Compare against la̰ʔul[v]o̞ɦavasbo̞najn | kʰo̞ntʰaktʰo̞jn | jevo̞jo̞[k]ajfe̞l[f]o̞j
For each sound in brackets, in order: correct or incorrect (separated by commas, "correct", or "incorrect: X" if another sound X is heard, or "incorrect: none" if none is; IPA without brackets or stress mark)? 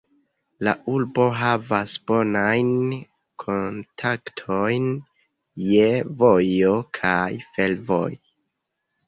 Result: incorrect: b, incorrect: kʰ, incorrect: v